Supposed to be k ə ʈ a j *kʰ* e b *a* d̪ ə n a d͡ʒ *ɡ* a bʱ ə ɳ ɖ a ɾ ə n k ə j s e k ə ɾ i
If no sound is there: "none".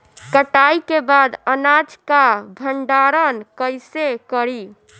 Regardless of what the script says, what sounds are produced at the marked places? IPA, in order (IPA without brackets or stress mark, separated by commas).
k, a, k